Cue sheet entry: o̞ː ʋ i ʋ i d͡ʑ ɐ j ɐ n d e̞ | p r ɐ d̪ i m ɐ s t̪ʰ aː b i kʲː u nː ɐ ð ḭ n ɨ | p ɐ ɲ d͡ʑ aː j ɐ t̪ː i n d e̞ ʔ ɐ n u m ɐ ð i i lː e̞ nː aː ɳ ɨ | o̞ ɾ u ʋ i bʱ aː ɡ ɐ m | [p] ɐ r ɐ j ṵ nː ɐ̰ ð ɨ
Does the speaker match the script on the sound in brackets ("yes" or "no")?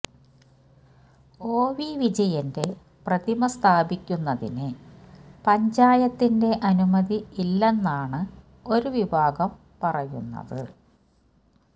yes